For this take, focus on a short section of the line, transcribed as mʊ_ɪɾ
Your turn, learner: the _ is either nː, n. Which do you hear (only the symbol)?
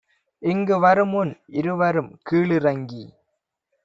n